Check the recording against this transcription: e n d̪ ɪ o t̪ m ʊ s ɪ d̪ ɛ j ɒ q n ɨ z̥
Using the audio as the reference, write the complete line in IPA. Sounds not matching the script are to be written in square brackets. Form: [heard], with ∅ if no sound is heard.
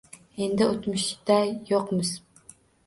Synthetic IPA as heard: e n d̪ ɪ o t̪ m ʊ [ʃ] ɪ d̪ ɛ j [o] q [m] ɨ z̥